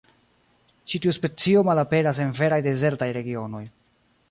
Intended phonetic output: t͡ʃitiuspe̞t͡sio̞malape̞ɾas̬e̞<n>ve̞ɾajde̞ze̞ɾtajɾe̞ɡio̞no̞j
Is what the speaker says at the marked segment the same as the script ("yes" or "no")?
yes